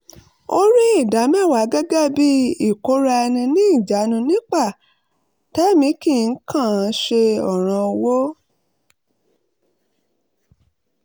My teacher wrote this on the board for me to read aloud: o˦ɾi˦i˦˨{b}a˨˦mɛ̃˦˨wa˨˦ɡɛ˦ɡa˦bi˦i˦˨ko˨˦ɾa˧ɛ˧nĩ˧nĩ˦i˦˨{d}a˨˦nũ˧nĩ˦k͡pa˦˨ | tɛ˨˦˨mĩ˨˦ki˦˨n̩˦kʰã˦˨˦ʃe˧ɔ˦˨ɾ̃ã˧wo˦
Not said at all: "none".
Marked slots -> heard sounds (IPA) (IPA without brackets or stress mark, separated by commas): d, d͡ʒ